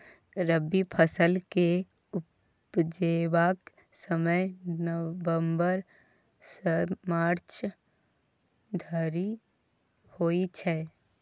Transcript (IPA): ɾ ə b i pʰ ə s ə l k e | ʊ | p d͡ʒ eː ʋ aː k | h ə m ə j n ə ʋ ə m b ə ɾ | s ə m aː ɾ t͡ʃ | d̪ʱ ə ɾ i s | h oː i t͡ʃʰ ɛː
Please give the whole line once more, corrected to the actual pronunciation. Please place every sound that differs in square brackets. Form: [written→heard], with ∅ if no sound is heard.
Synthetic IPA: ɾ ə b i pʰ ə s ə l k e | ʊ | p d͡ʒ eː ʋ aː k | [h→s] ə m ə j n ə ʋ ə m b ə ɾ | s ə m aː ɾ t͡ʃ | d̪ʱ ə ɾ i [s→∅] | h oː i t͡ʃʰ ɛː